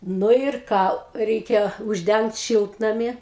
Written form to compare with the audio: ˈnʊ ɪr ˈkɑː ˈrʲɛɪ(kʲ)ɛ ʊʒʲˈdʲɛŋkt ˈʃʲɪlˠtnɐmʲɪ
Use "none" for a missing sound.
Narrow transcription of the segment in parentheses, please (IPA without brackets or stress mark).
kʲ